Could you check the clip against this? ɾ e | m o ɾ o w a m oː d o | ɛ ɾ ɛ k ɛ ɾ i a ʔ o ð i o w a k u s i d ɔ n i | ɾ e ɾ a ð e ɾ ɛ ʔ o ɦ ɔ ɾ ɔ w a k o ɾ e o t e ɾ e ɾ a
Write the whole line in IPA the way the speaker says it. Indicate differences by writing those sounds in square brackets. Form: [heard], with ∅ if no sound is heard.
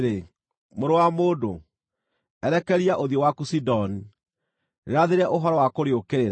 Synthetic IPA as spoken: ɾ e | m o ɾ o w a m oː d o | ɛ ɾ ɛ k ɛ ɾ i a ʔ o ð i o w a k u s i d ɔ n i | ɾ e ɾ a ð e ɾ ɛ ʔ o ɦ ɔ ɾ ɔ w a k o ɾ e o [k] e ɾ e ɾ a